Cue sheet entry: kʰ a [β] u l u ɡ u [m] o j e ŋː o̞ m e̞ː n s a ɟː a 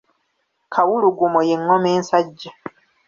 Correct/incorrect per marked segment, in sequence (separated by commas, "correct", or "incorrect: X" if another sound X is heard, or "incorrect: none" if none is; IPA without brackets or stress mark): incorrect: w, correct